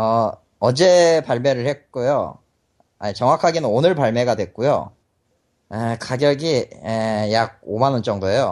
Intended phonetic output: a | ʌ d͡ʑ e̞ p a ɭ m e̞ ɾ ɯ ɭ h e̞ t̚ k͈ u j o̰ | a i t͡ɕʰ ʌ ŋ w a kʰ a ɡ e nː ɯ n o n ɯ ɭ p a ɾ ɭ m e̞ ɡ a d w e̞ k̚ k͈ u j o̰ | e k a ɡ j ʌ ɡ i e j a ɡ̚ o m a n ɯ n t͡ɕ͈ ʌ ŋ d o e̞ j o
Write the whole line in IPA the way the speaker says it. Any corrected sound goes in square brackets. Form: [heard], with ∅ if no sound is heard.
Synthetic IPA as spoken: [ʌ] | ʌ d͡ʑ e̞ p a ɭ m e̞ ɾ ɯ ɭ h e̞ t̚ k͈ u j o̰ | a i [t͡ɕ] ʌ ŋ w a kʰ a ɡ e [n] ɯ n o n ɯ ɭ p a [∅] ɭ m e̞ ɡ a d w e̞ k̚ k͈ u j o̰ | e k a ɡ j ʌ ɡ i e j a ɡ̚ o m a n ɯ n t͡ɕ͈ ʌ ŋ d o e̞ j o